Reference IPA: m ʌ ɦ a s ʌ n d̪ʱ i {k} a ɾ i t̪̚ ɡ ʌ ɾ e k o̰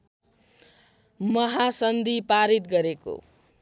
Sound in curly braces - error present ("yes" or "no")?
yes